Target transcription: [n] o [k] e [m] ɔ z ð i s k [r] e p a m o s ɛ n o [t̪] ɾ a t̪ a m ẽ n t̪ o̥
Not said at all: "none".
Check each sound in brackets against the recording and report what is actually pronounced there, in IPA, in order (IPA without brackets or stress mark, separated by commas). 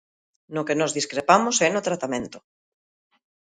n, k, n, ɾ, t̪